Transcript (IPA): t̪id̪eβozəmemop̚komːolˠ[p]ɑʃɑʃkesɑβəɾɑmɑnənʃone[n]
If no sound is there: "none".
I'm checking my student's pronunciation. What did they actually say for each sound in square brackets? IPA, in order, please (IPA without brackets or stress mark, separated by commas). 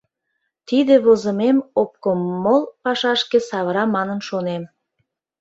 p, m